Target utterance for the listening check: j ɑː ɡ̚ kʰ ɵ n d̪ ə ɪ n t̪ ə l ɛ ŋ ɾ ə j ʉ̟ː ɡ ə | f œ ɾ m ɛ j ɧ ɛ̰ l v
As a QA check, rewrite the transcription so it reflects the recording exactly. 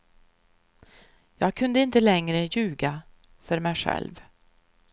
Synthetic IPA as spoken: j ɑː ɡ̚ kʰ ɵ n d̪ ə ɪ n t̪ ə l ɛ ŋ ɾ ə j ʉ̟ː ɡ a | f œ ɾ m ɛ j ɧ ɛ̰ l v

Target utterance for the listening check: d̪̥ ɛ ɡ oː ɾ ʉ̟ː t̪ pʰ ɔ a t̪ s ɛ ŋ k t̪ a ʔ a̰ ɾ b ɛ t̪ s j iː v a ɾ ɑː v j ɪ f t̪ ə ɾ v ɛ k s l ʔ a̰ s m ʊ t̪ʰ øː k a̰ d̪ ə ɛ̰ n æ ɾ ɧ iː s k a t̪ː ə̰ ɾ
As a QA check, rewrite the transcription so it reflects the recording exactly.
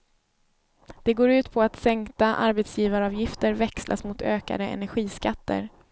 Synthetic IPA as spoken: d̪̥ ɛ ɡ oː ɾ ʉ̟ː t̪ pʰ ɔ a t̪ s ɛ ŋ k t̪ a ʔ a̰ ɾ b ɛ t̪ s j iː v a ɾ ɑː v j ɪ f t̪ ə ɾ v ɛ k s l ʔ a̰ s m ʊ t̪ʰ øː k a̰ d̪ ə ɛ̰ n æ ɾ ɧ iː s k a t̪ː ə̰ ɾ

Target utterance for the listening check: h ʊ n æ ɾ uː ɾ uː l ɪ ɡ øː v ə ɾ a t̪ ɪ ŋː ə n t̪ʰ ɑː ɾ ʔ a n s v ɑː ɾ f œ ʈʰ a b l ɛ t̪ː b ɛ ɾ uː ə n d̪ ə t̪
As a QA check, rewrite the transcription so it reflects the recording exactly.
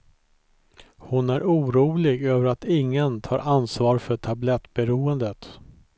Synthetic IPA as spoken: h ʊ n æ ɾ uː ɾ uː l ɪ ɡ øː v ə ɾ a t̪ ɪ ŋː ə n t̪ʰ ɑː ɾ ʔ a n s v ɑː ɾ f œ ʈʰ a b l ɛ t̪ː b ɛ ɾ uː ə n d̪ ə t̪

